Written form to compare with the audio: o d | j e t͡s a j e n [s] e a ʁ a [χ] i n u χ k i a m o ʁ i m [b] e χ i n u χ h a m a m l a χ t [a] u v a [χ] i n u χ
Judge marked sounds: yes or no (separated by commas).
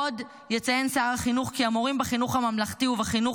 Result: yes, yes, yes, no, yes